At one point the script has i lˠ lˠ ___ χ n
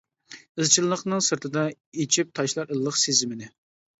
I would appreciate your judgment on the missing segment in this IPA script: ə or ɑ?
ə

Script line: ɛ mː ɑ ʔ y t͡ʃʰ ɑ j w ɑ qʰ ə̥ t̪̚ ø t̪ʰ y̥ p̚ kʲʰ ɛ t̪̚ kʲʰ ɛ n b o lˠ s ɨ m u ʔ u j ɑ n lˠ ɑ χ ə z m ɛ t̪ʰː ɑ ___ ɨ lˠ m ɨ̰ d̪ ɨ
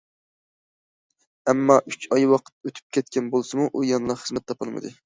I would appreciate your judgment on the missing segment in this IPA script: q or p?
p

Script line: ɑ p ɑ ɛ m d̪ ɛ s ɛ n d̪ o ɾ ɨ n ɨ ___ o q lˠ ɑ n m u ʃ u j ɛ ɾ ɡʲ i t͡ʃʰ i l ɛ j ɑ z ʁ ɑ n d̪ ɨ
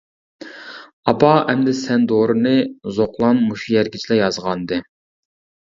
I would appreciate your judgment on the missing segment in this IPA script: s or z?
z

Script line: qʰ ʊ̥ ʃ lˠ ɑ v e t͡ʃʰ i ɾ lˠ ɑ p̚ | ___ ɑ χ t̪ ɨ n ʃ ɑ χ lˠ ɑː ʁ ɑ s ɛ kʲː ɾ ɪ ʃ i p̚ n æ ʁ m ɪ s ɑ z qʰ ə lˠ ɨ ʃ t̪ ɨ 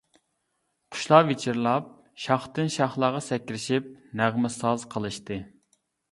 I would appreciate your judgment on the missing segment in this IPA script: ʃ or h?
ʃ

